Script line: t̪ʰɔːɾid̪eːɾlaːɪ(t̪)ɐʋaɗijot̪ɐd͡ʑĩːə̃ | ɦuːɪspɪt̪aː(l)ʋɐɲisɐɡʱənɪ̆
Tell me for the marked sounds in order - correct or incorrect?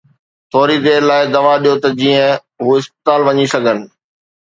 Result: incorrect: d̪, correct

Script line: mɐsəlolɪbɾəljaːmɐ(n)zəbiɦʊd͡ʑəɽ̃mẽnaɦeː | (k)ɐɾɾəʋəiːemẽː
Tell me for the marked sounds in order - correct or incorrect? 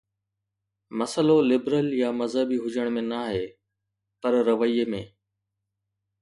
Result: incorrect: none, incorrect: p

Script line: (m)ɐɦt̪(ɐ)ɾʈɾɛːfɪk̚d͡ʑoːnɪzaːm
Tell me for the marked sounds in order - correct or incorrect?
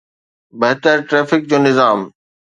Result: incorrect: b, incorrect: ə

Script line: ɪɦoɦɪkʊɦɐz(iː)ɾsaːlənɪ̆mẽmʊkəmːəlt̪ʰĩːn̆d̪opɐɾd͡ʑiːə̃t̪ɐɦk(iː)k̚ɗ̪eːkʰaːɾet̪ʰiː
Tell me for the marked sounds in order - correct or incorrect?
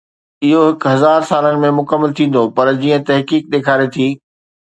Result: incorrect: aː, correct

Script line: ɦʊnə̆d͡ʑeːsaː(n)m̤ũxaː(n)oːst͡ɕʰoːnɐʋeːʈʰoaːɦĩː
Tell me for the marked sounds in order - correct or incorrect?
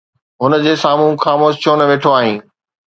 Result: incorrect: none, incorrect: m

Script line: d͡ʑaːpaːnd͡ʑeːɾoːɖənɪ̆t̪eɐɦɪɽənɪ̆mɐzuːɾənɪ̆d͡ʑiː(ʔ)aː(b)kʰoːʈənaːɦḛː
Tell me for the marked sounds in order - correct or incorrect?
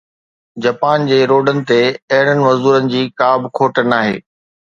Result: incorrect: k, correct

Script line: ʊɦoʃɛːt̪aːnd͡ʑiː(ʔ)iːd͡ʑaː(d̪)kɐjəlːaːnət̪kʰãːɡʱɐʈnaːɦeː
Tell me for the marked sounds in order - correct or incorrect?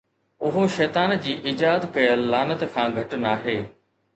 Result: correct, correct

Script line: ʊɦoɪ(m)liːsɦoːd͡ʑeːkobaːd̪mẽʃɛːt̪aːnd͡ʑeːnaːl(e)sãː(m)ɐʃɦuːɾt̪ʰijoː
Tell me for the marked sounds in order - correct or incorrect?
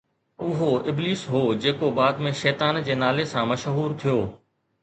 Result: incorrect: b, correct, correct

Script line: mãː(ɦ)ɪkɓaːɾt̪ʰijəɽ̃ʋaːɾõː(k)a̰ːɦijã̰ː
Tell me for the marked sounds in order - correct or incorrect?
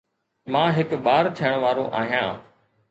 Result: correct, incorrect: ʔ

